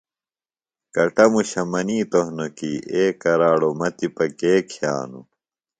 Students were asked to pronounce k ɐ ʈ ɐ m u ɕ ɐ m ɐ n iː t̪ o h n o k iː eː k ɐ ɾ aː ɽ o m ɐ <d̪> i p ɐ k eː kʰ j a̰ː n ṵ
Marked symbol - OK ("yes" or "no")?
no